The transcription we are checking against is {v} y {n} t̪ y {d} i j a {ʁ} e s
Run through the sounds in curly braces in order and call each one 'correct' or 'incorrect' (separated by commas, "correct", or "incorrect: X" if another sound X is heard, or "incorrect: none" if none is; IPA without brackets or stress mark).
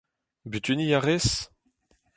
incorrect: b, incorrect: none, incorrect: n, correct